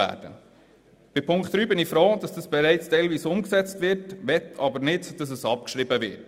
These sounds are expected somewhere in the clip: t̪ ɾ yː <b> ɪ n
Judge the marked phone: correct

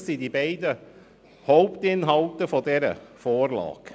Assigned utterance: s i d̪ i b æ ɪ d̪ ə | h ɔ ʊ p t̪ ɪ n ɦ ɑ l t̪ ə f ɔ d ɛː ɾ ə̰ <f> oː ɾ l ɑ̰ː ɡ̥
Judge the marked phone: correct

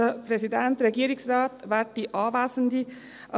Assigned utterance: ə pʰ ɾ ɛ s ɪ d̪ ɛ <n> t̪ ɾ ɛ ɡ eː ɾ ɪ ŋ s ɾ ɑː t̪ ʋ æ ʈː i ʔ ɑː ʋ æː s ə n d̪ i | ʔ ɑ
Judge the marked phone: correct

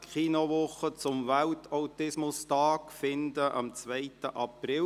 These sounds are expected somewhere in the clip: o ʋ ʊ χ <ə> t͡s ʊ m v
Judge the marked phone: correct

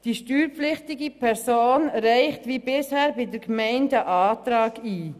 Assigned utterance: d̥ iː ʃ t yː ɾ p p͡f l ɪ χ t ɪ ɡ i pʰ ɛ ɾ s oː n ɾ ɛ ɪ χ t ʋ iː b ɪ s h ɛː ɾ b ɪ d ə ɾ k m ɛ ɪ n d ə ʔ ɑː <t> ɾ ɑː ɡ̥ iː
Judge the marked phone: correct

